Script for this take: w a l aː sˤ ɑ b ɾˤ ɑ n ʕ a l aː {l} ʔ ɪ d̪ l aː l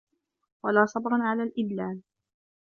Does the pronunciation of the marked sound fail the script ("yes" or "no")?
no